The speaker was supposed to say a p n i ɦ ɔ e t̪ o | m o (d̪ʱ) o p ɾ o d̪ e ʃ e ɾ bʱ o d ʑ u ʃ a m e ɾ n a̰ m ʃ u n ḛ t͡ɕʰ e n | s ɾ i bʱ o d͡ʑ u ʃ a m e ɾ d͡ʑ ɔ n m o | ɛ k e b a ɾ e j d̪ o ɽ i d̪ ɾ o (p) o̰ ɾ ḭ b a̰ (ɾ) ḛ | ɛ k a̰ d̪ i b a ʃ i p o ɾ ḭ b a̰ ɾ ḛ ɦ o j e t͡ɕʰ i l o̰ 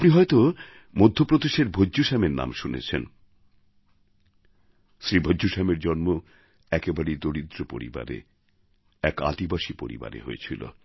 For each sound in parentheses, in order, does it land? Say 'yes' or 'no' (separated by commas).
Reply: no, yes, yes